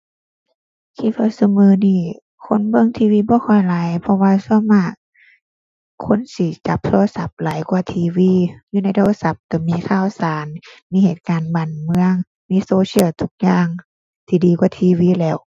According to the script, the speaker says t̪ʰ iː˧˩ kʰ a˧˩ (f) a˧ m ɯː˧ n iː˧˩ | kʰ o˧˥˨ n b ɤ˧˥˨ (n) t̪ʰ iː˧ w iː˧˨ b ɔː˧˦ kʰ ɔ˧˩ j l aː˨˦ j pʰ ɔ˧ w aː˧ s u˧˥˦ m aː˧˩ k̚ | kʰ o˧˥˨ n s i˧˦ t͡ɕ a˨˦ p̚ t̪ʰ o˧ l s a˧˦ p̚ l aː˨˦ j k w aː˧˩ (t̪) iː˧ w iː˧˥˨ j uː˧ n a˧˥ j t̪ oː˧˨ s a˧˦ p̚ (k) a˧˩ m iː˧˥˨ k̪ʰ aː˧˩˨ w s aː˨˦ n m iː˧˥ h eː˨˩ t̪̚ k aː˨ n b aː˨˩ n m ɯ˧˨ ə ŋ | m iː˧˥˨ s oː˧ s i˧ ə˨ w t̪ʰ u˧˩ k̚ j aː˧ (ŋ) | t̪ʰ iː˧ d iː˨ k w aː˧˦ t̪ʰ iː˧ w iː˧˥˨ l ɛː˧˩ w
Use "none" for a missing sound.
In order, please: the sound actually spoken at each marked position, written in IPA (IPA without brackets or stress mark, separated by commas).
s, ŋ, t̪ʰ, k, ŋ